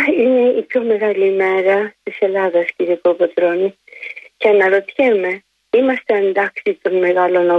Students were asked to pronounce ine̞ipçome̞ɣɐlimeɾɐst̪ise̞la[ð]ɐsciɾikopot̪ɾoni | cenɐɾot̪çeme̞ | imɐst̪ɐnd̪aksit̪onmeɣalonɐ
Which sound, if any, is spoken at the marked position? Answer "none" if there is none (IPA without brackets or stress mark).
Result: ð